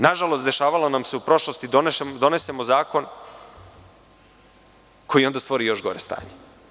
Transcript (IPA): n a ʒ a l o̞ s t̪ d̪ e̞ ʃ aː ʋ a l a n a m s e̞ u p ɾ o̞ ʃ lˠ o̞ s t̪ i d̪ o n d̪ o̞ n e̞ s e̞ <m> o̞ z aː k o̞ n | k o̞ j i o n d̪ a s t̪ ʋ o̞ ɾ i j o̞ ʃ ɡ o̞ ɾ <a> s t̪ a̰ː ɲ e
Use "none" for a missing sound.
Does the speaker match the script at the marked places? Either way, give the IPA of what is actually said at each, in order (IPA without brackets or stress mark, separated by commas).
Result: m, e